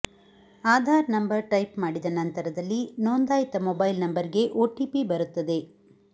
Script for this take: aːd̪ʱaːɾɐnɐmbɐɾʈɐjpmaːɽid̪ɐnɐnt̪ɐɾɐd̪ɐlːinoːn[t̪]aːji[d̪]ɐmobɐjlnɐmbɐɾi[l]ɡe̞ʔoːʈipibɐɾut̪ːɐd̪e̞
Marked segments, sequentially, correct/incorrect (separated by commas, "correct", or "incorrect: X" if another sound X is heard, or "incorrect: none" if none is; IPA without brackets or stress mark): incorrect: d̪, incorrect: t̪, incorrect: none